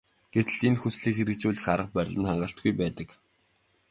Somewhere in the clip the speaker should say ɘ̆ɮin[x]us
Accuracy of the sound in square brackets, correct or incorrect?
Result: correct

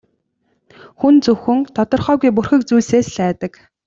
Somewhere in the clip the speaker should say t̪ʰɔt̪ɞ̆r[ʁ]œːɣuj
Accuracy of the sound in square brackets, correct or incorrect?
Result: incorrect: χ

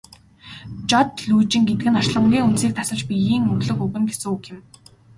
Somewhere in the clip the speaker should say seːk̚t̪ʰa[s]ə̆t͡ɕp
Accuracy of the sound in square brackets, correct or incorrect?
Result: correct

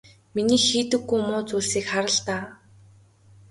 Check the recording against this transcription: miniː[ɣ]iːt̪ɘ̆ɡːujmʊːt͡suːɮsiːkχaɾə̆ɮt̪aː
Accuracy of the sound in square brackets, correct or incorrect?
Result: incorrect: x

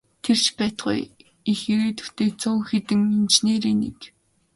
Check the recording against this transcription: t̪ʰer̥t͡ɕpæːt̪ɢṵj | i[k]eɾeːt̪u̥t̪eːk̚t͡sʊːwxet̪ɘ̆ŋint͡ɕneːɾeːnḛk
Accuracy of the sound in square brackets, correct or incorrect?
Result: incorrect: x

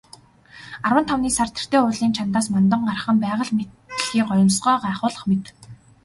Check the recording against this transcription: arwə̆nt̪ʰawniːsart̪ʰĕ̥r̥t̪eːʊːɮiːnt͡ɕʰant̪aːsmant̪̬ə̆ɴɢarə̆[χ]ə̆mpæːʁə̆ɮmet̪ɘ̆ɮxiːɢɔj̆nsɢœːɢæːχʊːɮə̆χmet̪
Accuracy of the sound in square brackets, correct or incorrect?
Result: correct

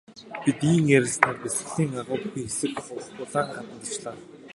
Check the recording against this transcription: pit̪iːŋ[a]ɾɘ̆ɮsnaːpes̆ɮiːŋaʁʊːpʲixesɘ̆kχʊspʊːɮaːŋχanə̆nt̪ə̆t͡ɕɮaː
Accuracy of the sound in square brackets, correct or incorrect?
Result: incorrect: e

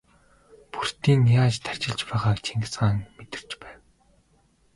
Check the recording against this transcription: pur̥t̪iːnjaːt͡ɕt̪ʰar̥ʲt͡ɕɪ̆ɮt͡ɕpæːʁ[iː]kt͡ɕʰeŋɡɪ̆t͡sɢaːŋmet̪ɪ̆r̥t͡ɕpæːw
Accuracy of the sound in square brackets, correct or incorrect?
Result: incorrect: aː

